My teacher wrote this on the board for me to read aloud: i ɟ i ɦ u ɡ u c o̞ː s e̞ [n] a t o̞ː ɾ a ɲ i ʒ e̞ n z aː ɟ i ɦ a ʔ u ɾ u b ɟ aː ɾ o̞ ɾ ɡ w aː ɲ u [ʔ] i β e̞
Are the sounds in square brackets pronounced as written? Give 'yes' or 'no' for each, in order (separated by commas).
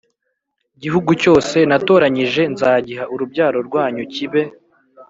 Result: yes, no